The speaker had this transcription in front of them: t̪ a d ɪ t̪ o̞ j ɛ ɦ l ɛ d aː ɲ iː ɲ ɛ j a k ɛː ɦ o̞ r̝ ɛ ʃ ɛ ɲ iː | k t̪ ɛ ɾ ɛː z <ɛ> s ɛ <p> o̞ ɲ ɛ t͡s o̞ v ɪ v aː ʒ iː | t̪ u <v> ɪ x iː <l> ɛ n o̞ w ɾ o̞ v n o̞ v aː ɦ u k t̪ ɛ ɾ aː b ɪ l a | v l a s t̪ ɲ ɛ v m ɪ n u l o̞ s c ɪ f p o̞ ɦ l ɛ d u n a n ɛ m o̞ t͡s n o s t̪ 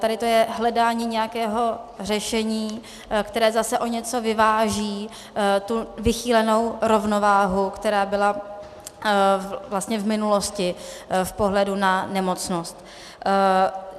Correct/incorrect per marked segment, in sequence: incorrect, incorrect, correct, correct

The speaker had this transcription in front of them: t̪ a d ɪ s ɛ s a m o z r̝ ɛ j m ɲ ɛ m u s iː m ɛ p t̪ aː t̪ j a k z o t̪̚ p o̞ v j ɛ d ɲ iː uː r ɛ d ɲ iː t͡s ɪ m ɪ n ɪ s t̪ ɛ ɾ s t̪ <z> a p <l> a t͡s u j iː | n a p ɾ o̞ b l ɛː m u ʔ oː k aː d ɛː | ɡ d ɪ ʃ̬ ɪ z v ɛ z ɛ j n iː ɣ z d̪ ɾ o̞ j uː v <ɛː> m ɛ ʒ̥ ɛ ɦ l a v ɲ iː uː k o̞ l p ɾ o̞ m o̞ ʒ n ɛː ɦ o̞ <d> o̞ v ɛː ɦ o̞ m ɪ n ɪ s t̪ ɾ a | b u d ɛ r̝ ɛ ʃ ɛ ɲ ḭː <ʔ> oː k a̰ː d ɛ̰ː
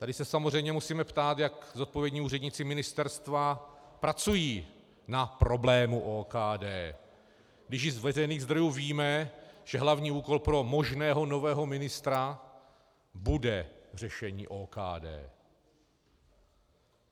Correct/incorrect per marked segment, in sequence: incorrect, incorrect, incorrect, incorrect, correct

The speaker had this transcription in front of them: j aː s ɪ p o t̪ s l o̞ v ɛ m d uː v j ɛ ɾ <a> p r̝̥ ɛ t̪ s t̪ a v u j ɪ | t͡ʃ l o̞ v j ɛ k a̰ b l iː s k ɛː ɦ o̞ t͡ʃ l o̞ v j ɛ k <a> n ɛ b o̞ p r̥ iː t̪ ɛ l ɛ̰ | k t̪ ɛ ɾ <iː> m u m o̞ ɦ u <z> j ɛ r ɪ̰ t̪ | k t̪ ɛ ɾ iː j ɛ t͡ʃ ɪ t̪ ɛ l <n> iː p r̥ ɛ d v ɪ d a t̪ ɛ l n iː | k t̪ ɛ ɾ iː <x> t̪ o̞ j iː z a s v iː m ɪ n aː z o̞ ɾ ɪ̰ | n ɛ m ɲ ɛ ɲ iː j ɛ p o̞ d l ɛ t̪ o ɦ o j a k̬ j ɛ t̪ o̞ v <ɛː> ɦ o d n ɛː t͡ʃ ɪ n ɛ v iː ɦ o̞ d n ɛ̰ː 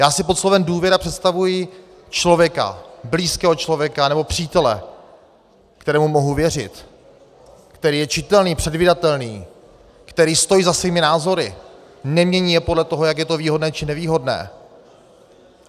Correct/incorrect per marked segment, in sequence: correct, correct, incorrect, incorrect, correct, incorrect, incorrect

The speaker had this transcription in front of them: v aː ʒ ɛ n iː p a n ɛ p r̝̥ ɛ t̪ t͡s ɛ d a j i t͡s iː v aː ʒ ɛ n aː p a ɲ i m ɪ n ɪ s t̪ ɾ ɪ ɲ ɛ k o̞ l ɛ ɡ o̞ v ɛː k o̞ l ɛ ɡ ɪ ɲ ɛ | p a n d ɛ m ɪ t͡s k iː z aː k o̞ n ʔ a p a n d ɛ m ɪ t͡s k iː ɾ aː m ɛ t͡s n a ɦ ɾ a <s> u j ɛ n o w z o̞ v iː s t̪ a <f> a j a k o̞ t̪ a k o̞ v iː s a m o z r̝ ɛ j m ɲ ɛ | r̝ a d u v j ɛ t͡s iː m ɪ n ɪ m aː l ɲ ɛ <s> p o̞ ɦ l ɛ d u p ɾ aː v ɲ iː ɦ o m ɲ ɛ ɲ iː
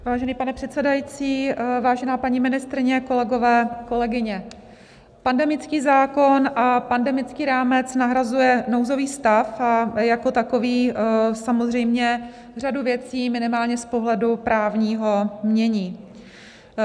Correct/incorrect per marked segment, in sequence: incorrect, correct, correct

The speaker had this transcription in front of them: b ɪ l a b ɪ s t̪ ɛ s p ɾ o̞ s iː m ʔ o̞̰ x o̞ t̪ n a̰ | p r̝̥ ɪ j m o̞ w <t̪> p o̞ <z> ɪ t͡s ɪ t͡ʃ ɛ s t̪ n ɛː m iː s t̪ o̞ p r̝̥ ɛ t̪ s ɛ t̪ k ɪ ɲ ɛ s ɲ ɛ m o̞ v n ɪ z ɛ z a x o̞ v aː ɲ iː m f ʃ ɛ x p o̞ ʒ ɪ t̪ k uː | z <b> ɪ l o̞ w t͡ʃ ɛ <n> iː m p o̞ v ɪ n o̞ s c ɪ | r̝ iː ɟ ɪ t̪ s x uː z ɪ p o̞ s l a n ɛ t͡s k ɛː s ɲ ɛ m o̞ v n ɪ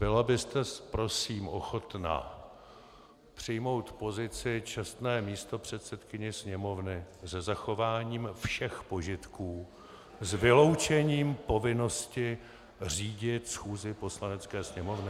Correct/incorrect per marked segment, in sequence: correct, correct, incorrect, incorrect

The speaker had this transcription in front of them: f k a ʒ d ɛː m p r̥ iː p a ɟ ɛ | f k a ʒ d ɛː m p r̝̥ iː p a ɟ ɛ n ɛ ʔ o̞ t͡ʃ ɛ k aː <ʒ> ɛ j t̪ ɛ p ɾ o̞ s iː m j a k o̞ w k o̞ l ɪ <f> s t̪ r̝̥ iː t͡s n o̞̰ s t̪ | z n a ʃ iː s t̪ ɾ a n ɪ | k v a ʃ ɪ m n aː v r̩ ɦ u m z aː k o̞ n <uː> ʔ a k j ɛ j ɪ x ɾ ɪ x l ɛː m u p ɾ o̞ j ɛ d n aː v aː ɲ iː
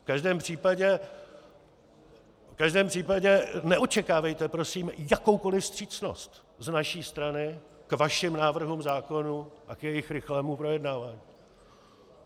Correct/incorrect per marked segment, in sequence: incorrect, correct, incorrect

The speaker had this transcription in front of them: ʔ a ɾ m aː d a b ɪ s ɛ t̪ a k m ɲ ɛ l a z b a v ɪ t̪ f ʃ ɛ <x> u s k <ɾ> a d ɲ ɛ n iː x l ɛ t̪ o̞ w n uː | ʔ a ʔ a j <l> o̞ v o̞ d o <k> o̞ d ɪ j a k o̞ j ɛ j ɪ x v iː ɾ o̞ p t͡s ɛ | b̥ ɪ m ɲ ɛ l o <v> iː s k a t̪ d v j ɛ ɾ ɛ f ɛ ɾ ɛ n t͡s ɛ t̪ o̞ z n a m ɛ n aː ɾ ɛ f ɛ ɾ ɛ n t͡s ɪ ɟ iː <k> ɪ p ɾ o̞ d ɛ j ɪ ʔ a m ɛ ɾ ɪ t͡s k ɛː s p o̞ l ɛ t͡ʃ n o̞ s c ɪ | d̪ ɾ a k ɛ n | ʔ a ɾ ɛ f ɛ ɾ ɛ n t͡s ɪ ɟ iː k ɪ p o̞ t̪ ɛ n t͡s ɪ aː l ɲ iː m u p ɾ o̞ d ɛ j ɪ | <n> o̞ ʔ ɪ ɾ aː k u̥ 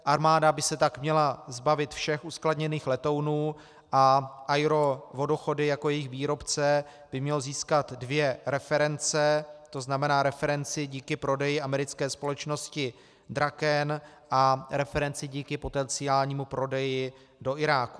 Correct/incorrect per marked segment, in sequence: correct, incorrect, incorrect, incorrect, incorrect, correct, incorrect

